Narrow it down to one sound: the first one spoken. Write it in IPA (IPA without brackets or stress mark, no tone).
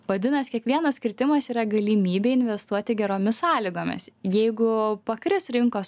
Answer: ʋ